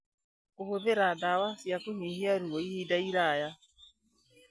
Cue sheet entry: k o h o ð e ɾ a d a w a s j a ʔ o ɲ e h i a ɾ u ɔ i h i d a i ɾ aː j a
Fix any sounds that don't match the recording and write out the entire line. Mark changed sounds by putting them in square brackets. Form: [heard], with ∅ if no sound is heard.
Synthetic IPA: k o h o ð e ɾ a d a w a s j a [k] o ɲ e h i a ɾ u ɔ i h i d a i ɾ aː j a